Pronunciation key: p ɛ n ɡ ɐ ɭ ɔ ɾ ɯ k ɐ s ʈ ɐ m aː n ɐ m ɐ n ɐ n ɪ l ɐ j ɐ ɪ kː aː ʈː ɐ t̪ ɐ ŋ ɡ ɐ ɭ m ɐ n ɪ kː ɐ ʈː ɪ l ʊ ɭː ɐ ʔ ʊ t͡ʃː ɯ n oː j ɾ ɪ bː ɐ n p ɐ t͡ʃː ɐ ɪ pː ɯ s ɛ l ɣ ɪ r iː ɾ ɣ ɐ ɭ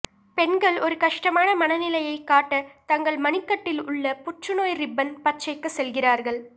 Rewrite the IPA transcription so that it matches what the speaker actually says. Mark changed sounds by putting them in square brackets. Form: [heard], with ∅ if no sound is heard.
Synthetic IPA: p ɛ n ɡ ɐ ɭ ɔ ɾ ɯ k ɐ [ʂ] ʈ ɐ m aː n ɐ m ɐ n ɐ n ɪ l ɐ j ɐ ɪ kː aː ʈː ɐ t̪ ɐ ŋ ɡ ɐ ɭ m ɐ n ɪ kː ɐ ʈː ɪ l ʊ ɭː ɐ [p] ʊ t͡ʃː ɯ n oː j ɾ ɪ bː ɐ n p ɐ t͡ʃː ɐ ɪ [kː] ɯ s ɛ l ɣ ɪ r [aː] ɾ ɣ ɐ ɭ